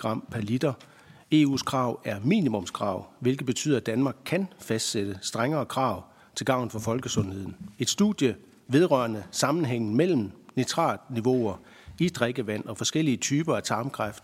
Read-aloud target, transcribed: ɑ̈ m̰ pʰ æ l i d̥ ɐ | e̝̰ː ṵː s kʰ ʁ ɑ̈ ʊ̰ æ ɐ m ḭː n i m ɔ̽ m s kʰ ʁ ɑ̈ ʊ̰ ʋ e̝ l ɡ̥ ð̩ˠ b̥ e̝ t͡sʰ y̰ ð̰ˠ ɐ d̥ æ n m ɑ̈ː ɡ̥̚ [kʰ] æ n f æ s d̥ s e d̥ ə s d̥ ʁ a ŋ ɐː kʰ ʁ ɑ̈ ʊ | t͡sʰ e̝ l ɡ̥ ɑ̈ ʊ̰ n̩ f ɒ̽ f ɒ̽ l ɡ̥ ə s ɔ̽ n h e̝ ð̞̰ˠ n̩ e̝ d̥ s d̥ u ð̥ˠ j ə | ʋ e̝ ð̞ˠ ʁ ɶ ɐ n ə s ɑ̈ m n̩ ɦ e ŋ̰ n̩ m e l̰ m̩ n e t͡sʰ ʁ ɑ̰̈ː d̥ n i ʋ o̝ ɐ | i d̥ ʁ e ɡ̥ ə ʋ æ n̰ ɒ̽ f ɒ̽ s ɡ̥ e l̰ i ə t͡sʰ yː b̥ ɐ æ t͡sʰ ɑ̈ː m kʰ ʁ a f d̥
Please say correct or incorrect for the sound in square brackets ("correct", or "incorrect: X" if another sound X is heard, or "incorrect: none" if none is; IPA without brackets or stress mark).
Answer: correct